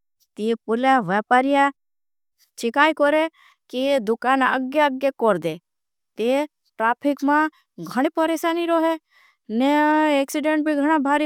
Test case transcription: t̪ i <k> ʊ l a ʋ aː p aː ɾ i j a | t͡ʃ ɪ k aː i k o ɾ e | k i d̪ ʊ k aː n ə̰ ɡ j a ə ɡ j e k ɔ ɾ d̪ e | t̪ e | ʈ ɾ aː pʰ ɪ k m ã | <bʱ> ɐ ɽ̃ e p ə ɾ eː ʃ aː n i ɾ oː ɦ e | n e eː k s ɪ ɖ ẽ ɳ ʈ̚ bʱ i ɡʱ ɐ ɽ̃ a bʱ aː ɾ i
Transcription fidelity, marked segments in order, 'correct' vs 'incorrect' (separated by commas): incorrect, incorrect